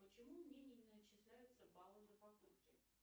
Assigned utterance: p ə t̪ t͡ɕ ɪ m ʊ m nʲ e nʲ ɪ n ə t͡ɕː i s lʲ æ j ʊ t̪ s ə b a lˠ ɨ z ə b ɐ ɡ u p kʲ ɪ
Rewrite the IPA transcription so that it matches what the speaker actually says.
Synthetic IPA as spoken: p ə t͡ɕ ɪ m u m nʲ e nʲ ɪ n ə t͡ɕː ɪ s lʲ æ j ʊ t̪ s ə b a lˠ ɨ z ə p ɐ k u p kʲ ɪ

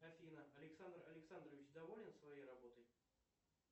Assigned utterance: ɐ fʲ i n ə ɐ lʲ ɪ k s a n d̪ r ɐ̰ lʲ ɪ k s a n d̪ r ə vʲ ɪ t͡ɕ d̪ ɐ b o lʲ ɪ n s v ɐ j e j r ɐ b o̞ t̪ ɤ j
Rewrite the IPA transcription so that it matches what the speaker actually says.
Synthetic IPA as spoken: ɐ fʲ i n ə ɐ lʲ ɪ k s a n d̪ r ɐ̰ lʲ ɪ k s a n d̪ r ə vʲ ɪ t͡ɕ d̪ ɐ v o lʲ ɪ n s v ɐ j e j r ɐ b o̞ t̪ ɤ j

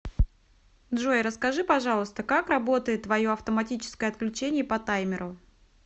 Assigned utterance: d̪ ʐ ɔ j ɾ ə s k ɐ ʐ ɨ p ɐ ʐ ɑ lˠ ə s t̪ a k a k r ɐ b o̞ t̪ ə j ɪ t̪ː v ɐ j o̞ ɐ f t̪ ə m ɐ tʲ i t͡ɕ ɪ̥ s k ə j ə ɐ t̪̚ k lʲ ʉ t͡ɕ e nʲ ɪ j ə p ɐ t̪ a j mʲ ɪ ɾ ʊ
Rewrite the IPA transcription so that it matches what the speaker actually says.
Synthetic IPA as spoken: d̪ ʐ o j ɾ ə s k ɐ ʐ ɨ p ɐ ʐ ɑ lˠ ə s t̪ ə k a k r ɐ b o̞ t̪ ə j ɪ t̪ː v ɐ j o̞ ɐ f t̪ ə m ɐ tʲ i t͡ɕ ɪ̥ s k ə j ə ɐ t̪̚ k lʲ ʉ t͡ɕ e nʲ ɪ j ə p ɐ t̪ a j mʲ ɪ ɾ ʊ

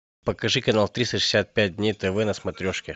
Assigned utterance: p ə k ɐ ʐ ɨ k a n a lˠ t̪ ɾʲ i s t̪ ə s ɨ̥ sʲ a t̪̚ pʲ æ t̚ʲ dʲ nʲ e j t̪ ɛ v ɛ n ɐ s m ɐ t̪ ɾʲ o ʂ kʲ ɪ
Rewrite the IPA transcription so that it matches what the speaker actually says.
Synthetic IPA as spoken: p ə k ɐ ʐ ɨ k ɐ n a lˠ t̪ ɾʲ i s t̪ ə ʂ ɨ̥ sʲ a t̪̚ pʲ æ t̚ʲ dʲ nʲ e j t̪ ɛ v ɛ n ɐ s m ɐ t̪ ɾʲ o ʂ kʲ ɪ

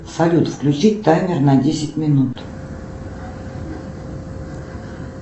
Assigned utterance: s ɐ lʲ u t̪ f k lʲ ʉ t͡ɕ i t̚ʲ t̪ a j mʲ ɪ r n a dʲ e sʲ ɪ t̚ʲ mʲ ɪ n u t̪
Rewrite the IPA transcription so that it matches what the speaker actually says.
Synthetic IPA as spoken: s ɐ lʲ u t̪ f k lʲ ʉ t͡ɕ i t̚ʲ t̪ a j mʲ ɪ r n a dʲ e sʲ ɪ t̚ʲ mʲ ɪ n u t̪

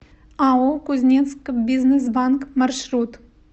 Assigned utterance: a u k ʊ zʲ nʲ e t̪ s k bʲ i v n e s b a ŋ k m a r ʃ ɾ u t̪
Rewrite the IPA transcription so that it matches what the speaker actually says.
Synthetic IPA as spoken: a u k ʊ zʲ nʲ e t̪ s k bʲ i z n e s b a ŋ k m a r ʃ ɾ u t̪

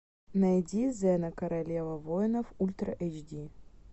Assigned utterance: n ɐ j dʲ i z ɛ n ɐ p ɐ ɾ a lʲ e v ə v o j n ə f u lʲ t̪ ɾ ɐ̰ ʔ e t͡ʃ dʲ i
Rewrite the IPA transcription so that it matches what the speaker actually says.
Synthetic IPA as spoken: n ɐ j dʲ i z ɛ n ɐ k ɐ ɾ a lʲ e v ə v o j n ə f u lʲ t̪ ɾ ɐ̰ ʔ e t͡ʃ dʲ i

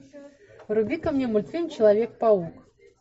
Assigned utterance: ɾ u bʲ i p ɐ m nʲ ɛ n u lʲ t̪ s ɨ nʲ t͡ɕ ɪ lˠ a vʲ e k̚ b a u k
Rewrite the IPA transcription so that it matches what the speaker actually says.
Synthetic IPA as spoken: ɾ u bʲ i k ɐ m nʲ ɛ m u lʲ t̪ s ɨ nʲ t͡ɕ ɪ lˠ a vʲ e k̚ p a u k

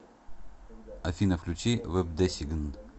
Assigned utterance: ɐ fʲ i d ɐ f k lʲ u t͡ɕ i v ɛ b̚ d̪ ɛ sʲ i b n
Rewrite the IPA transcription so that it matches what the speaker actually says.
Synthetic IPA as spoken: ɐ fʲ i n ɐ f k lʲ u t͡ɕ i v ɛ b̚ d̪ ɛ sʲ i ɡ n

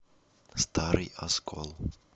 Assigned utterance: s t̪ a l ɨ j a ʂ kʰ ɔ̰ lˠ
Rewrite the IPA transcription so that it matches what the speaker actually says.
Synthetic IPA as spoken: s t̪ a ɾ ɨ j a s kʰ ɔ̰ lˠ

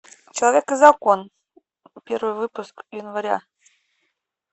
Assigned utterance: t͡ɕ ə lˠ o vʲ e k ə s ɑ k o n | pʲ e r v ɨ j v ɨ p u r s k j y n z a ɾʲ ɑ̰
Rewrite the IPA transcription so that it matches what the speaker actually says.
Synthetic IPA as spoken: t͡ɕ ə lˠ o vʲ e k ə z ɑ k o n | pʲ e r v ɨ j v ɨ p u s k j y n v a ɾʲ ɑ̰

